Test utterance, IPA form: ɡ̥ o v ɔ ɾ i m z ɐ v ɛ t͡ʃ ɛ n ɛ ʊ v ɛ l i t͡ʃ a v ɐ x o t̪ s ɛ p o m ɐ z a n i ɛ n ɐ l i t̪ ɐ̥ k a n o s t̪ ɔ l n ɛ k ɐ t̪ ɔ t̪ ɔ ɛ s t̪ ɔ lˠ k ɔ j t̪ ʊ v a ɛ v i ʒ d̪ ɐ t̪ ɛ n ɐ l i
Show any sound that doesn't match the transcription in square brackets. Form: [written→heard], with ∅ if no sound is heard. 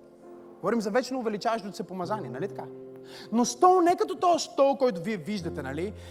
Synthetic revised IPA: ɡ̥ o v ɔ ɾ i m z ɐ v ɛ t͡ʃ ɛ n ɛ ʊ v ɛ l i t͡ʃ a v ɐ [x→ʃ] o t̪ s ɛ p o m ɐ z a n i ɛ n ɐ l i t̪ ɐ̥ k a n o s t̪ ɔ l n ɛ k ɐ t̪ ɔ t̪ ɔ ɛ s t̪ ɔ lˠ k ɔ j t̪ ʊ v [a→i] ɛ v i ʒ d̪ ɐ t̪ ɛ n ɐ l i